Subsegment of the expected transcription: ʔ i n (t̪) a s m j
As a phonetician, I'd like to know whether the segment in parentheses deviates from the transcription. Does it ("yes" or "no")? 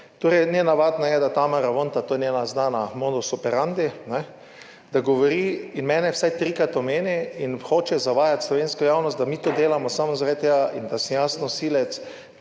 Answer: yes